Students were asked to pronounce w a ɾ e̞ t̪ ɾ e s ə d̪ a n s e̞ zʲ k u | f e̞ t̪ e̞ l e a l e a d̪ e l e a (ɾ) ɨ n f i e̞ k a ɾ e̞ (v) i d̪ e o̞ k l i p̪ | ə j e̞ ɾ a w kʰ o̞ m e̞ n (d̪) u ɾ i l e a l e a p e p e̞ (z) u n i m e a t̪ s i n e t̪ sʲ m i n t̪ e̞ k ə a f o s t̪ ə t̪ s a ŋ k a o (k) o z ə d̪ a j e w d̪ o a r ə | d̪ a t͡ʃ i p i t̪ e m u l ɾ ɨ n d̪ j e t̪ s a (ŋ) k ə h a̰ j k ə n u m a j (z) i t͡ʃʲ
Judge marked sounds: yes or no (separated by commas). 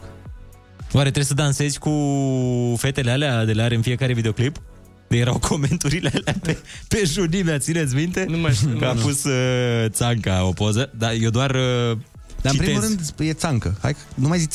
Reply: yes, yes, no, no, no, yes, yes